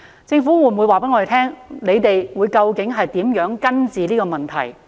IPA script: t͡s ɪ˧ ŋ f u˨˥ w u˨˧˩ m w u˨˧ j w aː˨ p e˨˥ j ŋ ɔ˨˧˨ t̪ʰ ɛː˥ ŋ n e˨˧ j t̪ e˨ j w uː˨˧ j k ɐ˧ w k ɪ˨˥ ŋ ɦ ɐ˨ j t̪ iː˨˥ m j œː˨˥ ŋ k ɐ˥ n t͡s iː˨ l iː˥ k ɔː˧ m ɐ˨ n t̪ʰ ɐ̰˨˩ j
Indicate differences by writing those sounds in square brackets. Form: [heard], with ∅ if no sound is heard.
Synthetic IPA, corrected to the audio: t͡s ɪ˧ ŋ f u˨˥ w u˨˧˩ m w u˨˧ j w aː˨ p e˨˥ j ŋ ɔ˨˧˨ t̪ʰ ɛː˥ ŋ n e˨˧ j t̪ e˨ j w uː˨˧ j k ɐ˧ w k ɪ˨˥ ŋ ɦ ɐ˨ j t̪ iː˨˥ m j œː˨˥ ŋ k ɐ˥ n t͡s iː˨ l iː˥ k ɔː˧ m ɐ˨ n t̪ʰ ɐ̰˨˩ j